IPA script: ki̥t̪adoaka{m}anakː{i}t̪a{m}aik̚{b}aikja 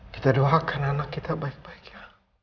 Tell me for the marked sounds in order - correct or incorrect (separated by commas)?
incorrect, correct, incorrect, correct